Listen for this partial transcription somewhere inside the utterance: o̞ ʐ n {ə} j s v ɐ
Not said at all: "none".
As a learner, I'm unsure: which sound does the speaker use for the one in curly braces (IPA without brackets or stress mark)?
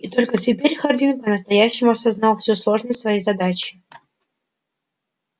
ə